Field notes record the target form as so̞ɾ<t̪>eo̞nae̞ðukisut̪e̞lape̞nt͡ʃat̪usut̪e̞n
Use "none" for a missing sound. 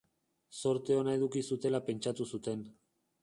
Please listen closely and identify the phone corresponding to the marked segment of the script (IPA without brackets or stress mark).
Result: t̪